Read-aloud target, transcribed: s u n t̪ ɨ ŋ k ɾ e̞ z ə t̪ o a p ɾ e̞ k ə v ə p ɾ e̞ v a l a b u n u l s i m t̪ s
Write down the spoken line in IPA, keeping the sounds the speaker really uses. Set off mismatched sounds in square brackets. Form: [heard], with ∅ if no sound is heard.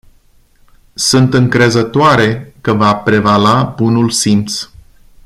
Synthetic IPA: s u n t̪ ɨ ŋ k ɾ e̞ z ə t̪ o a [∅] ɾ e̞ k ə v [a] p ɾ e̞ v a l a b u n u l s i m t̪ s